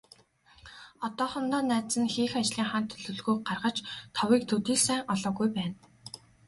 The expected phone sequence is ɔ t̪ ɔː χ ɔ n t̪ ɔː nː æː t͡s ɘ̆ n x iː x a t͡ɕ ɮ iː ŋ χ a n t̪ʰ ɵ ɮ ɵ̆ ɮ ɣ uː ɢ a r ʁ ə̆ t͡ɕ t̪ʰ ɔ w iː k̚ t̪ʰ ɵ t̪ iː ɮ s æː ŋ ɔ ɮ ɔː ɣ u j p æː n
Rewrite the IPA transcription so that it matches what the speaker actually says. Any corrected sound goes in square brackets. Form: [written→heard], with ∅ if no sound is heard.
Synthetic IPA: ɔ t̪ ɔː χ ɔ n t̪ ɔː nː æː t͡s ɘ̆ n x iː x a t͡ɕ ɮ iː ŋ χ a n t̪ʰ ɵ ɮ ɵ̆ ɮ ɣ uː ɢ a r ʁ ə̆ t͡ɕ t̪ʰ ɔ w iː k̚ t̪ʰ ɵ t̪ iː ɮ s æː ŋ ɔ ɮ ɔː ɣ u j p æː n